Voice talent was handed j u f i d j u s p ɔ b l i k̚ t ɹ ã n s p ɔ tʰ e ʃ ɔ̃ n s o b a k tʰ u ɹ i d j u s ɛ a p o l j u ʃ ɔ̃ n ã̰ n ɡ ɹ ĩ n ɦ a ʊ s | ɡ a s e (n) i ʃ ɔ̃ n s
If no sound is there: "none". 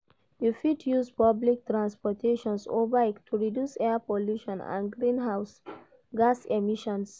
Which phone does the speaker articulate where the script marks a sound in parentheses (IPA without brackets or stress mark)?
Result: m